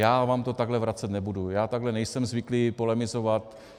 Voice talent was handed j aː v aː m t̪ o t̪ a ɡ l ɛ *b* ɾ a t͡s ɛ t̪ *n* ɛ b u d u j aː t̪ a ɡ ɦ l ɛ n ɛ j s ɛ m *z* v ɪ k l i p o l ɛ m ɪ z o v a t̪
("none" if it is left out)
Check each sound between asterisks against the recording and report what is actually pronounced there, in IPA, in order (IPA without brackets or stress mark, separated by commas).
v, n, z